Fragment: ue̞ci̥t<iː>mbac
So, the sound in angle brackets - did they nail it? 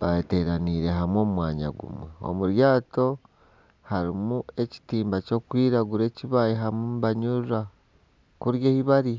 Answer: yes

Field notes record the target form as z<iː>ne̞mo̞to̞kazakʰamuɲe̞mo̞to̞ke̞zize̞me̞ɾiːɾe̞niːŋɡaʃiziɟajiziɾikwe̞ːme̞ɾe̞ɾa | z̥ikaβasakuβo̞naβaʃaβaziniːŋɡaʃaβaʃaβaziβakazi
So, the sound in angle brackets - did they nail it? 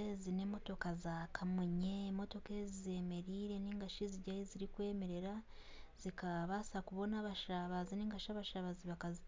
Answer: no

